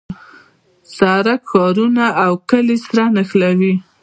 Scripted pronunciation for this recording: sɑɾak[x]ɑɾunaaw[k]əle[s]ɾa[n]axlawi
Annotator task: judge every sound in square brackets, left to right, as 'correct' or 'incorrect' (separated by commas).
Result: correct, correct, correct, correct